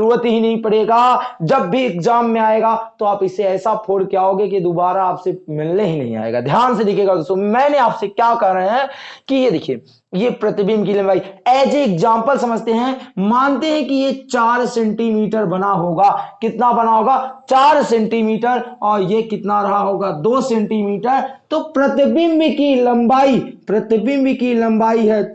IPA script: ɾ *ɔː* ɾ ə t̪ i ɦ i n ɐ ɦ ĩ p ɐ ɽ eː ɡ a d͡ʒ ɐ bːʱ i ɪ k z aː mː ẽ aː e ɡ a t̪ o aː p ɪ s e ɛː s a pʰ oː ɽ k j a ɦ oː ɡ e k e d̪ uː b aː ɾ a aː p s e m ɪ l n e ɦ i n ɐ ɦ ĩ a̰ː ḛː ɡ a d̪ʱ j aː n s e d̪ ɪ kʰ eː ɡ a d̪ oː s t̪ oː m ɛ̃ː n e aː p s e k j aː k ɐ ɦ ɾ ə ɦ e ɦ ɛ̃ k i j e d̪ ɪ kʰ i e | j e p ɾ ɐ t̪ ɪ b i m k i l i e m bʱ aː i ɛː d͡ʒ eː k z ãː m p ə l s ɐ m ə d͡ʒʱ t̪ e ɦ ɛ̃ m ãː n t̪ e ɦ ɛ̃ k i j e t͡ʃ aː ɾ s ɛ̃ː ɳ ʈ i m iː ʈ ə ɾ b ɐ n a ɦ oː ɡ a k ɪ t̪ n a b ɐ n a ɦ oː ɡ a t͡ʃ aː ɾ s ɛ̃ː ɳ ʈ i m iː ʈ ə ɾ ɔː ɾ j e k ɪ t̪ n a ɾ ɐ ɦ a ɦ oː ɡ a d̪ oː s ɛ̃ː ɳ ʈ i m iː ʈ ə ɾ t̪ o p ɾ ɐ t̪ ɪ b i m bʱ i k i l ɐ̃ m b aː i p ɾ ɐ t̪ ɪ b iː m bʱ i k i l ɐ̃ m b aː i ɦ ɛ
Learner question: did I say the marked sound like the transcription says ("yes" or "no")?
no